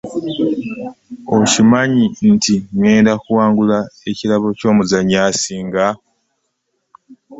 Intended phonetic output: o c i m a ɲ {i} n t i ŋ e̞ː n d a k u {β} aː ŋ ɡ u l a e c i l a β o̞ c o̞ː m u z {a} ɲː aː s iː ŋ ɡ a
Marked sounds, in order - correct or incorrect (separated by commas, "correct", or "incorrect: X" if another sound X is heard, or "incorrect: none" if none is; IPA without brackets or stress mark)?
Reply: correct, incorrect: w, correct